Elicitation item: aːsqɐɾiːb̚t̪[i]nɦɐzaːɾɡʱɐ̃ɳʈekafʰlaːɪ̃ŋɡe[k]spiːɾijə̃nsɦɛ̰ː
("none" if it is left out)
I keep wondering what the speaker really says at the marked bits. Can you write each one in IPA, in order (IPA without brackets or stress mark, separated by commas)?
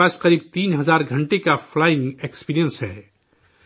iː, k